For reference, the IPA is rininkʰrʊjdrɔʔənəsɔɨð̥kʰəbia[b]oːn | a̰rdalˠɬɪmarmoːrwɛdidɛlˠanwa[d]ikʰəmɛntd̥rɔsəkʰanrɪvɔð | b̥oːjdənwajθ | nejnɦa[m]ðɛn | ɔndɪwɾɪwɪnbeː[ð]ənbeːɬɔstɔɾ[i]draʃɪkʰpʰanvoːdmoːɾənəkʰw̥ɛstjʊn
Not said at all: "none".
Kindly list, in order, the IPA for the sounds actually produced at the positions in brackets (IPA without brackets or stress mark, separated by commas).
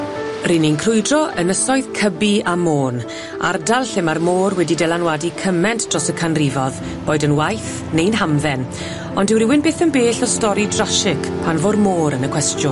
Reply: m, d, m, θ, i